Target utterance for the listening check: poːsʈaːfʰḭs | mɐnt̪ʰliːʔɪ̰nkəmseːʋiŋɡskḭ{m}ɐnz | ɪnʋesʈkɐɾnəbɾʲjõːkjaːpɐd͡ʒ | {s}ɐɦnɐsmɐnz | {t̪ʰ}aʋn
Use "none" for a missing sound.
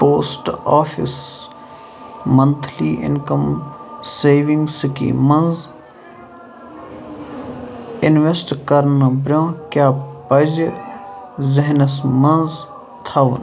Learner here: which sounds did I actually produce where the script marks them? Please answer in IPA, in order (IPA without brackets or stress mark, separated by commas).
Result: m, z, t̪ʰ